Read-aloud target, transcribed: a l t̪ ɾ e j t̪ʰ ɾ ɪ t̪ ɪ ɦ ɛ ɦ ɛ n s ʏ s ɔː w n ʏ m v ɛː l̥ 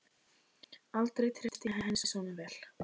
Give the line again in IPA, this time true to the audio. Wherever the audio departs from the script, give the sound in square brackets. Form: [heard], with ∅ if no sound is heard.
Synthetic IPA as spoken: a l t̪ ɾ e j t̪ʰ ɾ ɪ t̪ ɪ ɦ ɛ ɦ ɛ n s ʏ s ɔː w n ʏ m v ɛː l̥